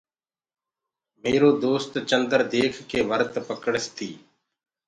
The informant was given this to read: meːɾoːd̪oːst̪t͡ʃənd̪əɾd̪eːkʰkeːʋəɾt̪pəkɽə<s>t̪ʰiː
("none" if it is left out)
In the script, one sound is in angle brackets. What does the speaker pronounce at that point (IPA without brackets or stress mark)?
s